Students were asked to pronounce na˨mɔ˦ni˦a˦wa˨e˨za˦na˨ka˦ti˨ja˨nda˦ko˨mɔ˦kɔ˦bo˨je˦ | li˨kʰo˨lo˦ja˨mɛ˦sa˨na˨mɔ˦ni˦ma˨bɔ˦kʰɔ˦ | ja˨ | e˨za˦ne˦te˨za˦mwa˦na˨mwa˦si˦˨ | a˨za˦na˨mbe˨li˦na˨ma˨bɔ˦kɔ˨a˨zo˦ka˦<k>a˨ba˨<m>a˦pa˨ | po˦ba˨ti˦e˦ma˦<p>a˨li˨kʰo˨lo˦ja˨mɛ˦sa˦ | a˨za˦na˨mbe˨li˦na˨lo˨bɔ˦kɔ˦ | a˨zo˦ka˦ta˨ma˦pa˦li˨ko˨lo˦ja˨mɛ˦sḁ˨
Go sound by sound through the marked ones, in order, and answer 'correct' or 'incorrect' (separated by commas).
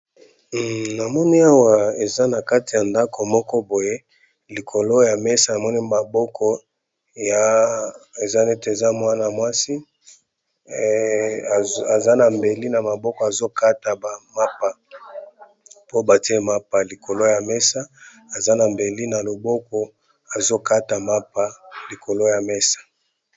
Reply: incorrect, correct, correct